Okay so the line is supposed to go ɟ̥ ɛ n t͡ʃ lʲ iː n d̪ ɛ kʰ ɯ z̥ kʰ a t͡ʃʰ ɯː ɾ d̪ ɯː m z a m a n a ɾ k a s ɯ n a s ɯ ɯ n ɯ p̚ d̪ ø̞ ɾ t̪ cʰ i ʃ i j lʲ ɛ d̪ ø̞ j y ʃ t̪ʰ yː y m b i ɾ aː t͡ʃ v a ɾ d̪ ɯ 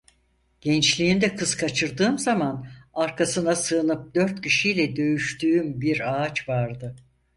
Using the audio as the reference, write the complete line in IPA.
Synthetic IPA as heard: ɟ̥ ɛ n t͡ʃ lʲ iː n d̪ ɛ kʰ ɯ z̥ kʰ a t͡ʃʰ ɯ ɾ d̪ ɯː m z a m a n a ɾ k a s ɯ n a s ɯ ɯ n ɯ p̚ d̪ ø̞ ɾ t̪ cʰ i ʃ i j lʲ ɛ d̪ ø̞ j y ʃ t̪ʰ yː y m b i ɾ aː t͡ʃ v a ɾ d̪ ɯ